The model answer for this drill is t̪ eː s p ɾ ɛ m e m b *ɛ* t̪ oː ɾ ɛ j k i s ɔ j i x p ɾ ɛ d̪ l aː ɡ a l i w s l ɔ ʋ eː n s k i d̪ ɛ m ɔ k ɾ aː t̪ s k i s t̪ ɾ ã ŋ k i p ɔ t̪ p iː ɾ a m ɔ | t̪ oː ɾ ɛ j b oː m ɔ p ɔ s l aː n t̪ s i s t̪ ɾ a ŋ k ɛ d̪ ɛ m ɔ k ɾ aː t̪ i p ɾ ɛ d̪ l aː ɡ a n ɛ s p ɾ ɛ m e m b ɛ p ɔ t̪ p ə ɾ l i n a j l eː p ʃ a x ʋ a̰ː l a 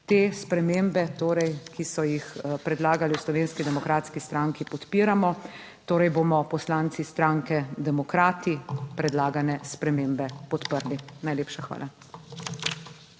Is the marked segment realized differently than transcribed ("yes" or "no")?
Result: no